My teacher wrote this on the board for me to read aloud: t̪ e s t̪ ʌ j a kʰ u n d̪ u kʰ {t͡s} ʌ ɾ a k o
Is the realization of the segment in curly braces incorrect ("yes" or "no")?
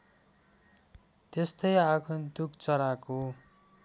no